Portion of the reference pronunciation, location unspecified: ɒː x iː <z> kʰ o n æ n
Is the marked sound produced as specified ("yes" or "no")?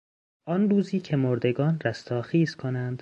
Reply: yes